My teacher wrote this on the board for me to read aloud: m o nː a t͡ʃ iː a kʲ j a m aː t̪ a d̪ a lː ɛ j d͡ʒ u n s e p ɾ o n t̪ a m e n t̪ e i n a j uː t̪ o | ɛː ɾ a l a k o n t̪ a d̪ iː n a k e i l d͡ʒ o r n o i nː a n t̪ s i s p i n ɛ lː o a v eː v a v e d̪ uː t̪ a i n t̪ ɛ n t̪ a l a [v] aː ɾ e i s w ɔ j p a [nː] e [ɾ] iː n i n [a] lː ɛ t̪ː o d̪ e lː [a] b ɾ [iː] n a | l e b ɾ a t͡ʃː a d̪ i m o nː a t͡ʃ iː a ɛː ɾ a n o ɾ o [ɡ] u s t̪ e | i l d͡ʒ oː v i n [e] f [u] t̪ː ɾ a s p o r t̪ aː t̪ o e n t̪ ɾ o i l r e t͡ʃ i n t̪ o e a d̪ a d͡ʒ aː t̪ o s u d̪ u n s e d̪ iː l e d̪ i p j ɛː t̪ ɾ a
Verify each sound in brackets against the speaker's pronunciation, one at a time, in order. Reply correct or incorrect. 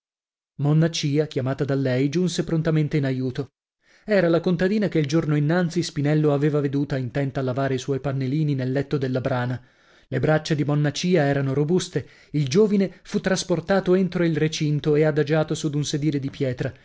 correct, correct, incorrect: l, incorrect: e, correct, incorrect: aː, incorrect: b, correct, correct

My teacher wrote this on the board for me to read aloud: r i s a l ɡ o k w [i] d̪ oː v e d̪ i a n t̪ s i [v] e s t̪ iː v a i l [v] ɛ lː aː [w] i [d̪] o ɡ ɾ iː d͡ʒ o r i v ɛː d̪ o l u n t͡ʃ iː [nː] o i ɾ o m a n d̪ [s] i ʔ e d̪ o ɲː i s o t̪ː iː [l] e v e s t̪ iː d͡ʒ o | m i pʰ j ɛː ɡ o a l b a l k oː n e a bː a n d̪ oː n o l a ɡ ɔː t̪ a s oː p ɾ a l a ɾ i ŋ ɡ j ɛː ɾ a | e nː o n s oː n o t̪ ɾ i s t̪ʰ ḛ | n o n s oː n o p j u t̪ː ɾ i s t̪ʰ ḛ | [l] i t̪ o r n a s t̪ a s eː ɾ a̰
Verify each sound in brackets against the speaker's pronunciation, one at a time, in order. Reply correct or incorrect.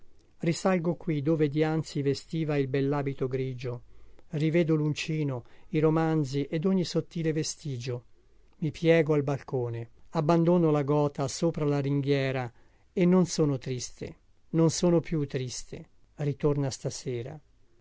correct, correct, incorrect: b, incorrect: b, incorrect: t̪, incorrect: n, incorrect: z, correct, incorrect: r

